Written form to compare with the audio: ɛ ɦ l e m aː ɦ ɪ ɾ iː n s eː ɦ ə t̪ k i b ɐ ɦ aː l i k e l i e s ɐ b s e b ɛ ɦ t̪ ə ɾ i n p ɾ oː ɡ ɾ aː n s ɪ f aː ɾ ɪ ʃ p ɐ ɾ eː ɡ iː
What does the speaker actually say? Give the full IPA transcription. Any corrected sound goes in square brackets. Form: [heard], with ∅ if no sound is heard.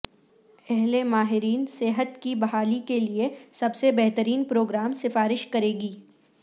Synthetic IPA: ɛ ɦ l e m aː ɦ ɪ ɾ iː n s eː ɦ ə t̪ k i b ɐ ɦ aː l i k e l i e s ɐ b s e b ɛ ɦ t̪ ə ɾ [iː] n p ɾ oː ɡ ɾ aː [m] s ɪ f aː ɾ ɪ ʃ [k] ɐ ɾ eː ɡ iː